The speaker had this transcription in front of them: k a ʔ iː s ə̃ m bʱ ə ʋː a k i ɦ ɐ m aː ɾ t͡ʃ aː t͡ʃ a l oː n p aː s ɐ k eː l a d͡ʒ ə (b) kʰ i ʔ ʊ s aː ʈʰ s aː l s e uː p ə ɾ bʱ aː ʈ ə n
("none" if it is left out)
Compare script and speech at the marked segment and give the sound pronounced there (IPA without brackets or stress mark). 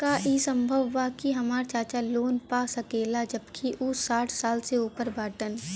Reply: b